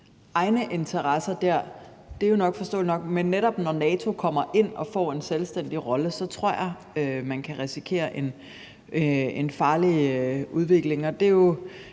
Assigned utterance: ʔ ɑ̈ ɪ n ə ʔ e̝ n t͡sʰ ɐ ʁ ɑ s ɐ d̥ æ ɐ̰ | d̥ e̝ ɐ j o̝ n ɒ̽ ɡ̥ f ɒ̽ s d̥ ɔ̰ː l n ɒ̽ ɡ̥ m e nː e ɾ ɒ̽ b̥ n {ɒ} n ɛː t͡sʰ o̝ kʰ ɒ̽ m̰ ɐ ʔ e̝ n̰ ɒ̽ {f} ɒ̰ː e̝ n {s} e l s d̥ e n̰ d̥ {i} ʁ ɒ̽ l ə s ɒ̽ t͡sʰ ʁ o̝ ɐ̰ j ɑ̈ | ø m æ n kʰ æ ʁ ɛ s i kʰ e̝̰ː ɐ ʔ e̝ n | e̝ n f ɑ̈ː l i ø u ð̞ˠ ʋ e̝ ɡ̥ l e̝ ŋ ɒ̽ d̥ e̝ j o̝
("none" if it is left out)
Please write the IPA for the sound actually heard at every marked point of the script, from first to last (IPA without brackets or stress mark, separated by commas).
ɒ, f, s, i